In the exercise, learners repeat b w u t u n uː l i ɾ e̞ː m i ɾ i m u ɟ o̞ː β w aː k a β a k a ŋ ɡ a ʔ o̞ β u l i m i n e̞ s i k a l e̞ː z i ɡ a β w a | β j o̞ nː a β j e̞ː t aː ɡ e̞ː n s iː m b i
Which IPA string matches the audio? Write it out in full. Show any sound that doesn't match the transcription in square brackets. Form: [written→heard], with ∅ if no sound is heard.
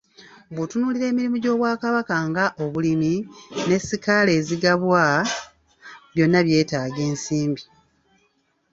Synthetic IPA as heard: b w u t u n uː l i ɾ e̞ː m i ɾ i m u ɟ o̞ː β w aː k a β a k a ŋ ɡ a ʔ o̞ β u l i m i n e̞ s i k a l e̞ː z i ɡ a β w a | β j o̞ nː a β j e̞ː t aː ɡ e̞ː n s iː m b i